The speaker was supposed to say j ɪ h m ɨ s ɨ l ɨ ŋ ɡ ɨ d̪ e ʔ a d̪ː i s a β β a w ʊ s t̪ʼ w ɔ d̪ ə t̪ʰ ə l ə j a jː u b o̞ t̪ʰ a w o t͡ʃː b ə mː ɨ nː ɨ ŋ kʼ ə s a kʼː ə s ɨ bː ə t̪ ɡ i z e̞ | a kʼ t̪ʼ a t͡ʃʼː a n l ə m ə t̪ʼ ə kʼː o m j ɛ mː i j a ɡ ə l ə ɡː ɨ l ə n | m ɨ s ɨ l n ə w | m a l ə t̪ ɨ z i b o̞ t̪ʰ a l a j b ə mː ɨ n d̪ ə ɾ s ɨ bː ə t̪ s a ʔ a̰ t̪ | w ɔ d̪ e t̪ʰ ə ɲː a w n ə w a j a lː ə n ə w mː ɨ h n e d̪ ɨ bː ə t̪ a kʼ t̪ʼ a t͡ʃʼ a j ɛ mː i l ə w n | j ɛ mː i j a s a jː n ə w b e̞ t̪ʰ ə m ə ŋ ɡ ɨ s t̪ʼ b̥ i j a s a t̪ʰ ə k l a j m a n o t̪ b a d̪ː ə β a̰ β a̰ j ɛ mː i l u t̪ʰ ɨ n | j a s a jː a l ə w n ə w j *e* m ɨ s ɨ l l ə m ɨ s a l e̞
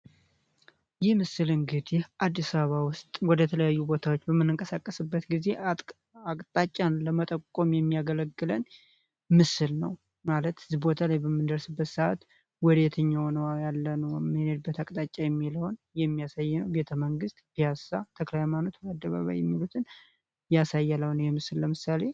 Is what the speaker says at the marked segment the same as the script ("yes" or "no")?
no